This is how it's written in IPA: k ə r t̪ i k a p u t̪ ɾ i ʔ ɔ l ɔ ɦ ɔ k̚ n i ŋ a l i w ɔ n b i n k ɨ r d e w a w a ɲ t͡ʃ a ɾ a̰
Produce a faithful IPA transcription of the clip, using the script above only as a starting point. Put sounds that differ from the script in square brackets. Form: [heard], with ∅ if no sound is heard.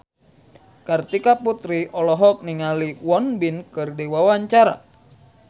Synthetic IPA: k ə r t̪ i k a p u t̪ ɾ i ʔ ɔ l ɔ ɦ ɔ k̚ n i ŋ a l i w ɔ n b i n k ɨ r d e w a w a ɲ t͡ʃ a ɾ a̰